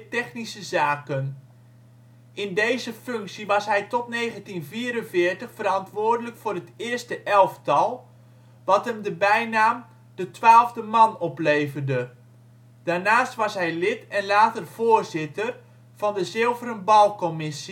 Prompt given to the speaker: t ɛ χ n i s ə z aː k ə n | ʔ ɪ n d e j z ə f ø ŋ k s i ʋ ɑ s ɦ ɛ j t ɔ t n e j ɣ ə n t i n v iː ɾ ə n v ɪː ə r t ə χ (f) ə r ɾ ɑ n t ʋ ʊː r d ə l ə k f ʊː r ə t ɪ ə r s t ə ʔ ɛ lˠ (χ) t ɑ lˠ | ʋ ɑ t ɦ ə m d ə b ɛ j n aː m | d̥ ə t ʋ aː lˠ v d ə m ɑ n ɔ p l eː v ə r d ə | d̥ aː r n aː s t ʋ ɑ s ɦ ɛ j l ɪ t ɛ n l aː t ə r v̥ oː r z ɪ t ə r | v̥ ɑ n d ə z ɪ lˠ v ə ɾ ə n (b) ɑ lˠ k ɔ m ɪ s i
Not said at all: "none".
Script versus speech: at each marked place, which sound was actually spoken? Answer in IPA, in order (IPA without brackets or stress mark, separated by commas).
f, f, b